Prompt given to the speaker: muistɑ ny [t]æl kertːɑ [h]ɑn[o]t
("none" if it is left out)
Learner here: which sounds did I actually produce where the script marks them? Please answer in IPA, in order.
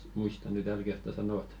t, s, o

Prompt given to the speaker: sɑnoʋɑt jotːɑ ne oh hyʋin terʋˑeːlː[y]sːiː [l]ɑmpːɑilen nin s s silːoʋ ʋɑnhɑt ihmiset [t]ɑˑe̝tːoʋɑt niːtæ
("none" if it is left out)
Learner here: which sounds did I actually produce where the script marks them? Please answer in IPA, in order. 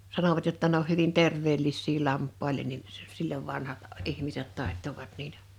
i, l, t

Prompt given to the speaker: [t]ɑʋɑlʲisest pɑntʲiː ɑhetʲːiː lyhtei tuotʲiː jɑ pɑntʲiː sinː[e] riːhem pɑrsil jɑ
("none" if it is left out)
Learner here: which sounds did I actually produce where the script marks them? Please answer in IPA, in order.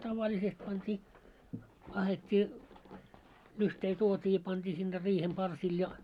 t, e

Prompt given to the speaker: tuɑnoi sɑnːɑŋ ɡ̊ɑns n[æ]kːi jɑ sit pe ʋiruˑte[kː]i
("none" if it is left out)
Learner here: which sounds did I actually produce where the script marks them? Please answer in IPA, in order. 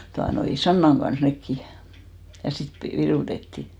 e, tː

